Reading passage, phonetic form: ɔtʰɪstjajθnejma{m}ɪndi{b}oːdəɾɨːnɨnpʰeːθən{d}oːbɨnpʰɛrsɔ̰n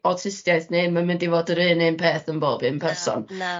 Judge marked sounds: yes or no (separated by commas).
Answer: yes, no, no